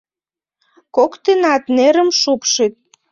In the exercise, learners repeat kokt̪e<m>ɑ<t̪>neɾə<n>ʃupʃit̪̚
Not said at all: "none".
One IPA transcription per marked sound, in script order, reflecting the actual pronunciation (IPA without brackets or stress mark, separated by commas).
n, t̪, m